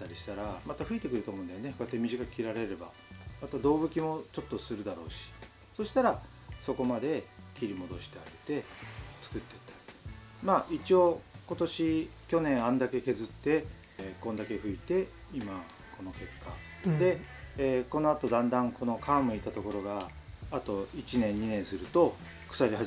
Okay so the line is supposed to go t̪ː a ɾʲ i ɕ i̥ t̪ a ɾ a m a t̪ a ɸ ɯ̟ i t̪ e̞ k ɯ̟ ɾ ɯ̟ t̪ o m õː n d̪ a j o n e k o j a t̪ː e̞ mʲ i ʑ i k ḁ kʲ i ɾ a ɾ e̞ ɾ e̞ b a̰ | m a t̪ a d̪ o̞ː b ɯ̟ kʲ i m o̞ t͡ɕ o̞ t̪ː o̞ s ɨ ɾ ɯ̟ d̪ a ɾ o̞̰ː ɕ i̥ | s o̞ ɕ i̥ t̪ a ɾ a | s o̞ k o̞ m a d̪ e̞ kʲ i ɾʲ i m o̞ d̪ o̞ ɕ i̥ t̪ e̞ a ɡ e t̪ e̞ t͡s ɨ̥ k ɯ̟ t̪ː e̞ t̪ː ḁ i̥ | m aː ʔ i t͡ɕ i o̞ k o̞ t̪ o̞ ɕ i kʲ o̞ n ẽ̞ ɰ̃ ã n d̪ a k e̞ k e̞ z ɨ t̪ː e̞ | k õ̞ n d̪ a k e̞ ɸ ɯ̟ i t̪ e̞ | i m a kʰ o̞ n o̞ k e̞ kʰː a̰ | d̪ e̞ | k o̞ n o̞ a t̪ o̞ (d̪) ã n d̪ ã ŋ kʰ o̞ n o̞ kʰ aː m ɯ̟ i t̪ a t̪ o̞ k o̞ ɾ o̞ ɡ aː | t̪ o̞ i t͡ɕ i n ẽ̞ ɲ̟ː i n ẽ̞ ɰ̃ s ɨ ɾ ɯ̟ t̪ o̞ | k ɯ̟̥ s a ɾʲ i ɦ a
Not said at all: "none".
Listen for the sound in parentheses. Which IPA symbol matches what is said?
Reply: d̪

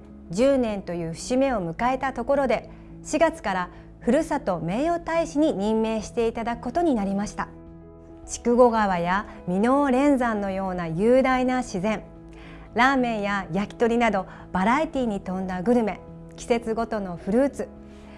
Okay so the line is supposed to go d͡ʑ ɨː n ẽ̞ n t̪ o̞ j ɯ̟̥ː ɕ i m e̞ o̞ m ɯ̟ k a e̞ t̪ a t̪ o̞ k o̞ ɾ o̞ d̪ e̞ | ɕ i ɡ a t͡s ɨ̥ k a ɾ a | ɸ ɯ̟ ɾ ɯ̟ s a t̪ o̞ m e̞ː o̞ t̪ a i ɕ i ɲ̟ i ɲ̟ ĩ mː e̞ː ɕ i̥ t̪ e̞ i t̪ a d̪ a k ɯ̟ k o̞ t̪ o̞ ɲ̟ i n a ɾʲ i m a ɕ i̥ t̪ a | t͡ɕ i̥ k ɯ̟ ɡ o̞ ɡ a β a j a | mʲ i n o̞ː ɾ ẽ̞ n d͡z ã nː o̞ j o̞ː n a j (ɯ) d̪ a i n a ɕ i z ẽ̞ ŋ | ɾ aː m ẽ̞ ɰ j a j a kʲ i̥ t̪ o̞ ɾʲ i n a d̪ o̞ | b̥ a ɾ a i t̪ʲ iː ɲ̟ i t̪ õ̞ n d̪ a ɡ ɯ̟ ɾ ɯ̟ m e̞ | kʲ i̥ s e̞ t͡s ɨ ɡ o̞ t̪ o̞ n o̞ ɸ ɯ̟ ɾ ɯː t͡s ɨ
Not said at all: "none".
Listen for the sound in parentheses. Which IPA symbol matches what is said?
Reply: ɯː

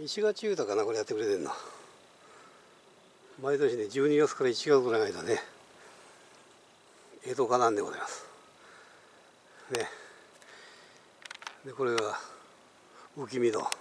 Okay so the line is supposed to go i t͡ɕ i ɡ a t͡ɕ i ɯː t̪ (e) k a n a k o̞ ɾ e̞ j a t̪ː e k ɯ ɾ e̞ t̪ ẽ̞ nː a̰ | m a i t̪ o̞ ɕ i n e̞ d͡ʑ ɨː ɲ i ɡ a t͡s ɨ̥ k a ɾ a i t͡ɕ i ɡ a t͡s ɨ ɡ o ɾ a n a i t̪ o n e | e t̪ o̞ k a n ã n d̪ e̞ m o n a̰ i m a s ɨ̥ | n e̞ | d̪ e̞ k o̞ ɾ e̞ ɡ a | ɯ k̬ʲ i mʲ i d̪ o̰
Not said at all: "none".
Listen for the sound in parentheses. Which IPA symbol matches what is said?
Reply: a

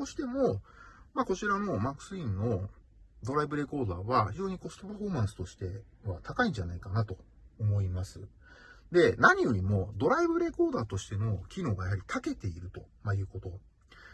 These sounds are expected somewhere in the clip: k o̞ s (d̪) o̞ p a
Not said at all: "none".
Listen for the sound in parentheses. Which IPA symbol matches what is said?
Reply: t̪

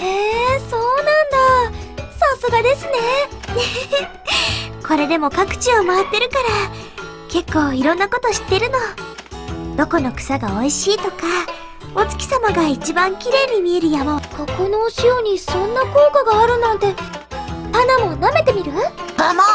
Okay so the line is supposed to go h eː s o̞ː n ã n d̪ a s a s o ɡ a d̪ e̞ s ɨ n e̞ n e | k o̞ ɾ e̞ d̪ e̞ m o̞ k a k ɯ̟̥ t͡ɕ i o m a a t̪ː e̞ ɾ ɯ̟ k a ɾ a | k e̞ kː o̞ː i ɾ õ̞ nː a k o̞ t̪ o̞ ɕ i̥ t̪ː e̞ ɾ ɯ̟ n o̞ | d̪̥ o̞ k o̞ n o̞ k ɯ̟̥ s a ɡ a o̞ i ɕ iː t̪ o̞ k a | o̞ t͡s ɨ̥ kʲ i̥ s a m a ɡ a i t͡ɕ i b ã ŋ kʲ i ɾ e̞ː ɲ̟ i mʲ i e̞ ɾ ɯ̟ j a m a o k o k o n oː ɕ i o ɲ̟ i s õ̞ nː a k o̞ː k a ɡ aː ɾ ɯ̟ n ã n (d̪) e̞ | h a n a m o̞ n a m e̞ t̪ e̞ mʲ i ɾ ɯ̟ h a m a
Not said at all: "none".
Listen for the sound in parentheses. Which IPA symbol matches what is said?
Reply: t̪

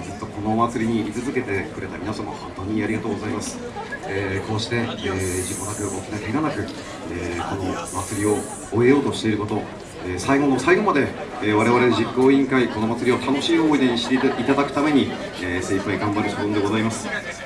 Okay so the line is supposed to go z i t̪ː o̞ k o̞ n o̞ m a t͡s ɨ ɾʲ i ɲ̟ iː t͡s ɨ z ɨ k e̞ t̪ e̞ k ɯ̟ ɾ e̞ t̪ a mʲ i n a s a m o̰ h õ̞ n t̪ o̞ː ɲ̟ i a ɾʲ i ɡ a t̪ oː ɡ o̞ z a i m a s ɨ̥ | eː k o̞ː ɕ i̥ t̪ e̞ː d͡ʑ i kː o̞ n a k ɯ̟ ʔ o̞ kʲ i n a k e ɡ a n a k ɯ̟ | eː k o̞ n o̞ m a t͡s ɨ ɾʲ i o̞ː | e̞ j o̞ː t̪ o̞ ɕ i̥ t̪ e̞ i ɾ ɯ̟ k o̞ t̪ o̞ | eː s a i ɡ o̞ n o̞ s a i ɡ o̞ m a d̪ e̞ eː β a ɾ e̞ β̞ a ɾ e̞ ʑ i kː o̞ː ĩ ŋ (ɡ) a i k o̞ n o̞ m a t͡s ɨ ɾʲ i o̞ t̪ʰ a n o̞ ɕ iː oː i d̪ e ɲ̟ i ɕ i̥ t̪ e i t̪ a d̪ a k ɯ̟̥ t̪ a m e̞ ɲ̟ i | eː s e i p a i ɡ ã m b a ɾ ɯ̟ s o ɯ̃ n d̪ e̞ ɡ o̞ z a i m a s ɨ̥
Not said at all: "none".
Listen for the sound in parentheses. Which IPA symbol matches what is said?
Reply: k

